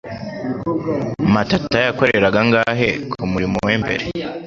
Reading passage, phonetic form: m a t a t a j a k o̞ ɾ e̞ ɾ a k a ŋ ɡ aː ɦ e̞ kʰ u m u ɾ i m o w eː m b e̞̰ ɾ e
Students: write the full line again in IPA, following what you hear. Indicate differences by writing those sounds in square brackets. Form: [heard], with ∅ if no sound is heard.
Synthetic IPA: m a t a t a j a k o̞ ɾ e̞ ɾ a [ɡ] a ŋ ɡ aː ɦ e̞ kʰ u m u ɾ i m o w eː m b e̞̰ ɾ e